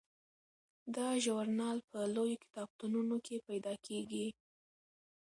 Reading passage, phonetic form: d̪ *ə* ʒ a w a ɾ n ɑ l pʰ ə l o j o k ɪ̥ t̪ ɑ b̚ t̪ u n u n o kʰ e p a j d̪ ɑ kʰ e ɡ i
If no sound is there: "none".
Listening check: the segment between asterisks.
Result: ɑ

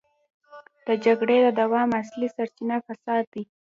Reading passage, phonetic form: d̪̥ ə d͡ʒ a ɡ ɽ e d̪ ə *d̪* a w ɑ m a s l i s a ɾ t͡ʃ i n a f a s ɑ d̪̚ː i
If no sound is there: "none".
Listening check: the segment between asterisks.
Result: d̪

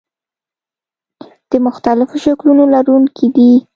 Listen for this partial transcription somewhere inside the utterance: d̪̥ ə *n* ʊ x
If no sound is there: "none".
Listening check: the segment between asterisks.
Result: m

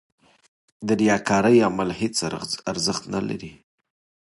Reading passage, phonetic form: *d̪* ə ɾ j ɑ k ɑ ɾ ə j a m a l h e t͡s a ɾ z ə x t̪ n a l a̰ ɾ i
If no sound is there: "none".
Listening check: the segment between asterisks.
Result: d̪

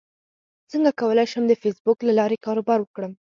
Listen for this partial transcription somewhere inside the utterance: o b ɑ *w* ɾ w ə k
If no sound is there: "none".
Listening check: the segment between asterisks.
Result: none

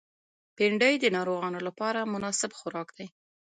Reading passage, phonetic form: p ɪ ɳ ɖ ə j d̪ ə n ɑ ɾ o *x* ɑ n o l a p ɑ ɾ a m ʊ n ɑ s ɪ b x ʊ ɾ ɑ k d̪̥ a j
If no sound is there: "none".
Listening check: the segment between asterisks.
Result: ɣ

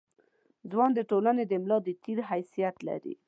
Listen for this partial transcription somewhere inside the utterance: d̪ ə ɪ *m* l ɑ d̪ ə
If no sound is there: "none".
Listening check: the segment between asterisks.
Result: m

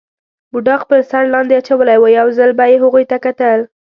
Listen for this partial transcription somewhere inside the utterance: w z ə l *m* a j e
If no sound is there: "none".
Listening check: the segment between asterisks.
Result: b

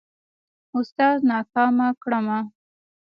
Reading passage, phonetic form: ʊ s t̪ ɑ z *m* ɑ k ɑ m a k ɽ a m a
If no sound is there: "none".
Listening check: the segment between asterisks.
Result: n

